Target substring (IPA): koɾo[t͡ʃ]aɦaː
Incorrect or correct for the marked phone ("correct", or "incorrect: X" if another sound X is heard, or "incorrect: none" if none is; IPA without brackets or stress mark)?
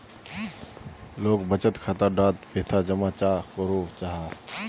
correct